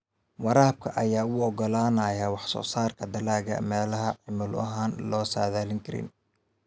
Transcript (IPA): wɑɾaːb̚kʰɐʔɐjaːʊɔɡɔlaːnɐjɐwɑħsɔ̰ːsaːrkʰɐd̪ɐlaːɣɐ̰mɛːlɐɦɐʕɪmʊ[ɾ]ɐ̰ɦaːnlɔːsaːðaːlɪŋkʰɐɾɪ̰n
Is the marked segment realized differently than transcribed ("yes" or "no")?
yes